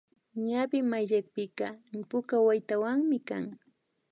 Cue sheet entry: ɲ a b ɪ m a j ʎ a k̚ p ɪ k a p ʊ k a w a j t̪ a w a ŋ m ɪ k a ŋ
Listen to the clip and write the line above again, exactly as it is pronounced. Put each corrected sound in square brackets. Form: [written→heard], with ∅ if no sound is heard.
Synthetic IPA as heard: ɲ a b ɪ m a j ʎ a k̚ p ɪ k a p ʊ k a w a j t̪ a w a ŋ m ɪ k a ŋ